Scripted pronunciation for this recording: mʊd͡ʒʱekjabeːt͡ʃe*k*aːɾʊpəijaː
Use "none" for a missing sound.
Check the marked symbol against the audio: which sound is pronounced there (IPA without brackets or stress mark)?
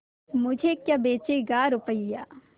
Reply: ɡ